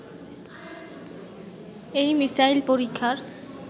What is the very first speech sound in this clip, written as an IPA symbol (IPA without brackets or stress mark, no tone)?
e